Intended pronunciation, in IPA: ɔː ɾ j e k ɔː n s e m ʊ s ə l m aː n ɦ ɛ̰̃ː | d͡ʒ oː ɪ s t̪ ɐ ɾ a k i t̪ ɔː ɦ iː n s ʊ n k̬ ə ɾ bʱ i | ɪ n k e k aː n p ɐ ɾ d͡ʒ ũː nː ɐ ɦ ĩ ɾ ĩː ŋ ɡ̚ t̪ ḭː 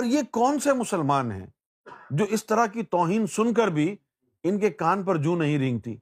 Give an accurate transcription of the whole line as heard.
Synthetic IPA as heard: ɔː ɾ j e k ɔː n s e m ʊ s ə l m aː n ɦ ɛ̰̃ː | d͡ʒ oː ɪ s t̪ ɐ ɾ a k i t̪ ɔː ɦ iː n s ʊ n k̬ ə ɾ bʱ i | ɪ n k e k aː n p ɐ ɾ d͡ʒ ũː n ɐ ɦ ĩ ɾ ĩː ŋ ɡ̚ t̪ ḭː